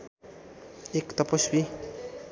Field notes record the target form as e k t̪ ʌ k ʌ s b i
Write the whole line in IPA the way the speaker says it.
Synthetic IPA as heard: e k t̪ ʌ p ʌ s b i